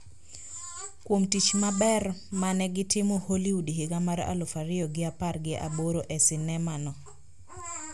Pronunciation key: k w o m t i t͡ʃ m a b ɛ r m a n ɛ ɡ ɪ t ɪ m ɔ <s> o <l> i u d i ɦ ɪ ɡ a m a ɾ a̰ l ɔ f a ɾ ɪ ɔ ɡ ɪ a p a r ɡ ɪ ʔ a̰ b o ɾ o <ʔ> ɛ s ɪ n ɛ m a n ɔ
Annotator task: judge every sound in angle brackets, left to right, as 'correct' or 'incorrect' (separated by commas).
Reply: incorrect, correct, correct